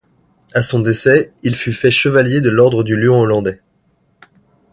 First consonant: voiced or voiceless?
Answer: voiceless